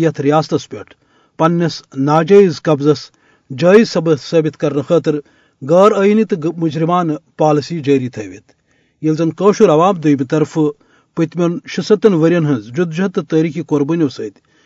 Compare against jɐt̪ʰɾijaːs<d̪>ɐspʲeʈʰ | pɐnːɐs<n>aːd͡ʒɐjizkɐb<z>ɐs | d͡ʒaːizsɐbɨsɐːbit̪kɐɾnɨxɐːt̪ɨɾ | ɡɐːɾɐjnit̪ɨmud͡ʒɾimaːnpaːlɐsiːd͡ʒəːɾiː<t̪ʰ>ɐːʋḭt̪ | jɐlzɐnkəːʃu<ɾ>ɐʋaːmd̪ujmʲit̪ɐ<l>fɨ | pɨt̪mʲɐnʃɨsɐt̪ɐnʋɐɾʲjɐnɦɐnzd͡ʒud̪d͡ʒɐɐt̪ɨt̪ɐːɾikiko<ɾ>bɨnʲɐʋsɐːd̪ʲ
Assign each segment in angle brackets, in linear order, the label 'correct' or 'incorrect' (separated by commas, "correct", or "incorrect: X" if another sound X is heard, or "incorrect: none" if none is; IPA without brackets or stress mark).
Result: incorrect: t̪, correct, correct, correct, correct, incorrect: ɾ, correct